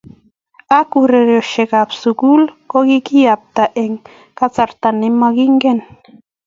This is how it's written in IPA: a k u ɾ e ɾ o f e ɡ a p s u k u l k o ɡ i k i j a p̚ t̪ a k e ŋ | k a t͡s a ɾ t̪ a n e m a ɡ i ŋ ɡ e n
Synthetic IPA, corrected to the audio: a k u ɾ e ɾ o ʃ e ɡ a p s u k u l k o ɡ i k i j a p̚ t̪ a ʔ e ŋ | k a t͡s a ɾ t̪ a n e m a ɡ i ŋ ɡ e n